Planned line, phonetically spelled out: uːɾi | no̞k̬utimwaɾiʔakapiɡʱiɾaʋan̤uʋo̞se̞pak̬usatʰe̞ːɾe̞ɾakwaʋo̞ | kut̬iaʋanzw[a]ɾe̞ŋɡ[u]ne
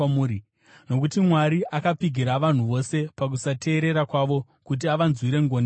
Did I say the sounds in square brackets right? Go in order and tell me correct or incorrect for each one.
incorrect, incorrect

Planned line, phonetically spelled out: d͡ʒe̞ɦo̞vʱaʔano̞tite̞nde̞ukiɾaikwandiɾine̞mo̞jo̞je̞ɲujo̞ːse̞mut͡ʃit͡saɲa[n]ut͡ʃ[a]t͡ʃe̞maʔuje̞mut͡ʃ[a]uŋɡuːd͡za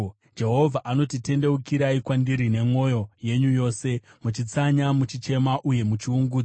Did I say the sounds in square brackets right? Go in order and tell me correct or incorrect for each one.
incorrect, incorrect, incorrect

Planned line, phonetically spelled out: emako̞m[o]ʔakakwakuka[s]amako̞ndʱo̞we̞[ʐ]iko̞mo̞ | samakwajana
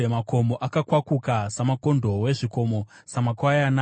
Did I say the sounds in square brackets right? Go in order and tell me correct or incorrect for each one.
correct, correct, correct

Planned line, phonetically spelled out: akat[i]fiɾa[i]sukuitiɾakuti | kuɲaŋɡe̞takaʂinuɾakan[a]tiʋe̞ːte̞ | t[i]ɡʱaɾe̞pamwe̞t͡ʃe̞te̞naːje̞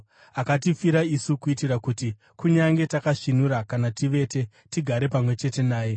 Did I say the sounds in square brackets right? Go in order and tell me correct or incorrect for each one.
correct, correct, correct, correct

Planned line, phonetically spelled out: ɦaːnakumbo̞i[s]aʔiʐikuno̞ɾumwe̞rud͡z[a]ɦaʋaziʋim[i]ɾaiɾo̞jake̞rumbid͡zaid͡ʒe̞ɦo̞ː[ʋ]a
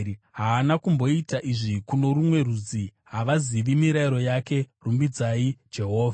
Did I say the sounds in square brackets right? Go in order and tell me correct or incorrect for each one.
incorrect, incorrect, correct, incorrect

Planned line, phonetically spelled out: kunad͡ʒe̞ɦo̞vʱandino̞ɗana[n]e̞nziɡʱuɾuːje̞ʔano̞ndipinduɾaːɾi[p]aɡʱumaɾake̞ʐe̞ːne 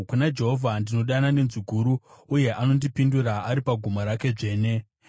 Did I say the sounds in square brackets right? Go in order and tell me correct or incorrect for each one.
correct, correct

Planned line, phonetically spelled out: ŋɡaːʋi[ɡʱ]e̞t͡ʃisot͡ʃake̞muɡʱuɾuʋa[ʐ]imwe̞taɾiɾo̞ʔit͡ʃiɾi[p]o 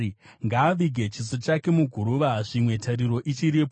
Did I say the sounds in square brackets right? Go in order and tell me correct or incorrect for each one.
correct, correct, correct

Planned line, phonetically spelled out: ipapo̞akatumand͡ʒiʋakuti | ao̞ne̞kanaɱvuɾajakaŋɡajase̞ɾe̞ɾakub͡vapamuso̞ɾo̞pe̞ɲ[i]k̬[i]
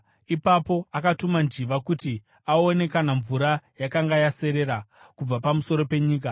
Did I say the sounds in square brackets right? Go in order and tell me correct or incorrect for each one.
incorrect, incorrect

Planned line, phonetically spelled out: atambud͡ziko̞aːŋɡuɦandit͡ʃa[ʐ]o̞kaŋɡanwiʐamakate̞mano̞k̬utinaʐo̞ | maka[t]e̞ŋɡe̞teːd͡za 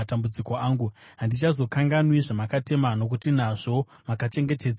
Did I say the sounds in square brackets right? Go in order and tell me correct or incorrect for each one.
incorrect, incorrect

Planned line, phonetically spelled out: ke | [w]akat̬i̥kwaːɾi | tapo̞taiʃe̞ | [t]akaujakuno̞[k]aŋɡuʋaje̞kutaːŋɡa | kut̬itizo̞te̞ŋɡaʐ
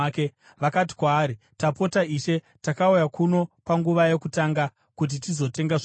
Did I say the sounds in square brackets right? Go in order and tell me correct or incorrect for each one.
incorrect, correct, incorrect

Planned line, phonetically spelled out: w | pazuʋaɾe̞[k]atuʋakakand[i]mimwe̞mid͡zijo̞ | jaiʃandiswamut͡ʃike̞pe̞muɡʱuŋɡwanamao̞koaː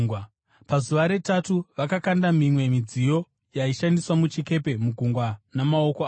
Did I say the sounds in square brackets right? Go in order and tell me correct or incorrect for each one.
incorrect, incorrect

